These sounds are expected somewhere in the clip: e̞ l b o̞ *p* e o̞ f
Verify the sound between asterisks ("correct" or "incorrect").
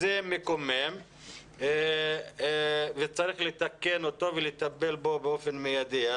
incorrect